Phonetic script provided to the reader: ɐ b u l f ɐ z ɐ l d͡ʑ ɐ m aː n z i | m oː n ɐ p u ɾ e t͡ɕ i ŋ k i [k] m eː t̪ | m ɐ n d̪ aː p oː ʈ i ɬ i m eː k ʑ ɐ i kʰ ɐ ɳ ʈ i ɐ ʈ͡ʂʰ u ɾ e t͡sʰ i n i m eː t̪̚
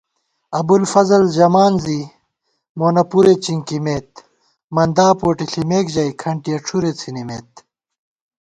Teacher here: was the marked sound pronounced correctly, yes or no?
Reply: no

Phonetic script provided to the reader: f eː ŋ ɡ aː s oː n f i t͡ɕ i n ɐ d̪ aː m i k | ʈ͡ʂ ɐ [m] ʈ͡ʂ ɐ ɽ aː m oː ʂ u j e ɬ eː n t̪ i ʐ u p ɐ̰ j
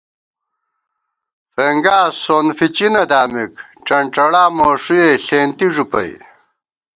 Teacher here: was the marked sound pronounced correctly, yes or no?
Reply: no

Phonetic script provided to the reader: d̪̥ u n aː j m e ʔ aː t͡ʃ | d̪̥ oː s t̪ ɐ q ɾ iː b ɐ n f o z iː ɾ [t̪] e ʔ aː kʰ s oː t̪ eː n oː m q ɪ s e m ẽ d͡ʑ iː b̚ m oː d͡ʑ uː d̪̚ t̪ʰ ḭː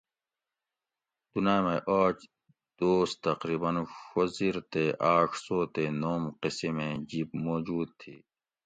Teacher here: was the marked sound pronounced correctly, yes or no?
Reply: yes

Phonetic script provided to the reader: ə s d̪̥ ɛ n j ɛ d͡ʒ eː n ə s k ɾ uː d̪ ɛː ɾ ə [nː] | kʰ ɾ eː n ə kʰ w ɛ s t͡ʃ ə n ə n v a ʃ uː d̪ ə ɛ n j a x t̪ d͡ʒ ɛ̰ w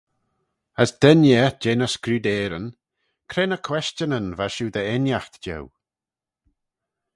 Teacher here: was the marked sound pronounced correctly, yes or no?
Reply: no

